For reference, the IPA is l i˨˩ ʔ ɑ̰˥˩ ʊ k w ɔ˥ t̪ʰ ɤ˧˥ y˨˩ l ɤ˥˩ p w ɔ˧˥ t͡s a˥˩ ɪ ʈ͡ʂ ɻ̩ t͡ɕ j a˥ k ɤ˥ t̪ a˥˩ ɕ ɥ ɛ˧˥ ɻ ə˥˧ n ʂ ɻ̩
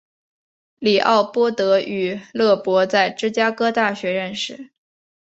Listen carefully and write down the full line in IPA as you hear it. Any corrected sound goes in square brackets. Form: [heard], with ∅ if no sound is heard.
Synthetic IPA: l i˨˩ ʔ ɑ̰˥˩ ʊ [p] w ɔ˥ [t̪] ɤ˧˥ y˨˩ l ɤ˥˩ p w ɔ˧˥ t͡s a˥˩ ɪ ʈ͡ʂ ɻ̩ t͡ɕ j a˥ k ɤ˥ t̪ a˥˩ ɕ ɥ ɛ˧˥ ɻ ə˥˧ n ʂ ɻ̩